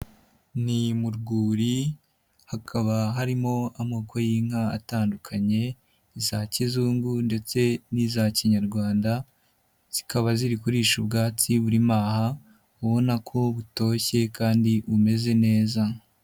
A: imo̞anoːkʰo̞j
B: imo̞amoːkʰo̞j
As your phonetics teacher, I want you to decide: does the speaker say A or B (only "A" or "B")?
B